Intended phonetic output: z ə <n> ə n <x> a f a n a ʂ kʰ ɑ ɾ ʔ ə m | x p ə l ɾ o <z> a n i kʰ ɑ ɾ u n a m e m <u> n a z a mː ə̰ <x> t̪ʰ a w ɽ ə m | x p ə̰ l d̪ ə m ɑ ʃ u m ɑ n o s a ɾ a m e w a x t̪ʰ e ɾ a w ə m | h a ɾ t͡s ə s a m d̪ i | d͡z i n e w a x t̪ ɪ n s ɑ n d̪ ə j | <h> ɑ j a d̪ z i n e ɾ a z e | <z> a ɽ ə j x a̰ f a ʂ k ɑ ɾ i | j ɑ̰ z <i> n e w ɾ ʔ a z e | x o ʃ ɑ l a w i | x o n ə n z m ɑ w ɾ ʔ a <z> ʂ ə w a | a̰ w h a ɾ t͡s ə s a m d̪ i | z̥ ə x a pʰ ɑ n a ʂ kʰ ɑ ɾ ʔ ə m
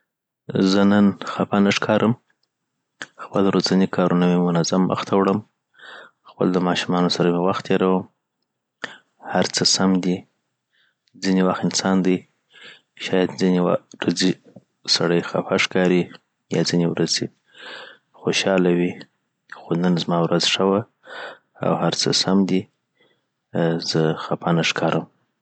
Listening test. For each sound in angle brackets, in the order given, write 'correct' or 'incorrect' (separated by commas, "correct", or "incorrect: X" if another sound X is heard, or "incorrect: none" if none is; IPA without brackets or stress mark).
correct, correct, correct, incorrect: ʊ, correct, incorrect: ʃ, incorrect: s, correct, correct